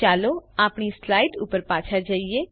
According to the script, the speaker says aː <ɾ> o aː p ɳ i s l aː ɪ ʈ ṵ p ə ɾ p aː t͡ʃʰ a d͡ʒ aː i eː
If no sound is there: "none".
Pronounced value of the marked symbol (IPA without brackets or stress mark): l